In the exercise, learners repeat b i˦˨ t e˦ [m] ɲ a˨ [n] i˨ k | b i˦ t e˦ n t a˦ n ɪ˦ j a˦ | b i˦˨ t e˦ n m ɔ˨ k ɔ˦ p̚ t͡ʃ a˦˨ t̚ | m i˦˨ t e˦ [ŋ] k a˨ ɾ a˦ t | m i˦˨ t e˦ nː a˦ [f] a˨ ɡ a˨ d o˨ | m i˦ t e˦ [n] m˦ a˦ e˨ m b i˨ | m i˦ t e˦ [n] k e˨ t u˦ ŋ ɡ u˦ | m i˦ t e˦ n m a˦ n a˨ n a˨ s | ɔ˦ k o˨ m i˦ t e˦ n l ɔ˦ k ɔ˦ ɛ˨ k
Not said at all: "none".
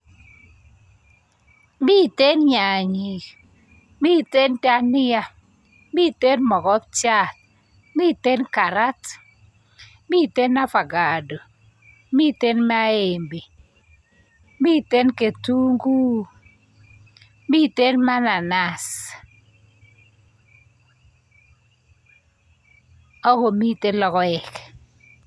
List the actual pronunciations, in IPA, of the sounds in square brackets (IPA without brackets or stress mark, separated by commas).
n, ɲ, n, f, n, n